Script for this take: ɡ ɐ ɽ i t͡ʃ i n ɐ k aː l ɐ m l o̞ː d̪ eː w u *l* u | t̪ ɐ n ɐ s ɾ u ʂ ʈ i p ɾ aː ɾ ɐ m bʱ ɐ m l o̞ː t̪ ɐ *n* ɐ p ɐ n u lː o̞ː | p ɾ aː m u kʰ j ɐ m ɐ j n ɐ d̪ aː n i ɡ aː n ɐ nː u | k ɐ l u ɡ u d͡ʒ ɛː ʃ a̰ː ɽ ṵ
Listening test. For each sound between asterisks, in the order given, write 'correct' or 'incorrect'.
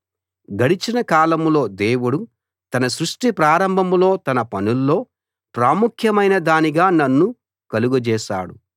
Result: incorrect, correct

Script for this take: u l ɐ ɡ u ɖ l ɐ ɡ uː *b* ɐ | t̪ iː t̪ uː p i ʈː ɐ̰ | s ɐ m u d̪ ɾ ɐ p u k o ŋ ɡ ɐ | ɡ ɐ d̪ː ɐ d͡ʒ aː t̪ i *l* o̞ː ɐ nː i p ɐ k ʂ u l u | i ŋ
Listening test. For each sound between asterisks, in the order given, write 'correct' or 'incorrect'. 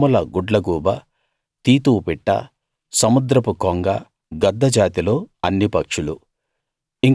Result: correct, correct

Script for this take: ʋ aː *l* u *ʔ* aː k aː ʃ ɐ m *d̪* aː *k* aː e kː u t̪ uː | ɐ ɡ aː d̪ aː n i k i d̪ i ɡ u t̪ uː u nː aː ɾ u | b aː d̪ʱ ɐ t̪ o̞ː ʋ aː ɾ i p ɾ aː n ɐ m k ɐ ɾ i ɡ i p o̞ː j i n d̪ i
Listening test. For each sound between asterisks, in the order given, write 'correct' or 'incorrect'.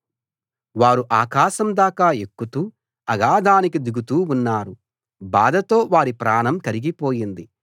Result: incorrect, correct, correct, correct

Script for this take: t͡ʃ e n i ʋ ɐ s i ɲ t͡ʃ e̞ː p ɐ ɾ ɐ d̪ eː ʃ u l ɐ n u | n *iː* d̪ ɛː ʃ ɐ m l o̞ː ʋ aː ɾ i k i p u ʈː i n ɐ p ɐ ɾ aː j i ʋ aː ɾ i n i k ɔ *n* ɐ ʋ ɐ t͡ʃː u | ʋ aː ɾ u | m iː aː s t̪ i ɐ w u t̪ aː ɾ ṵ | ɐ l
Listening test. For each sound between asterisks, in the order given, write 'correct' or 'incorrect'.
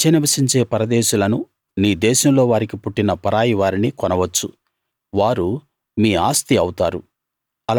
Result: correct, correct

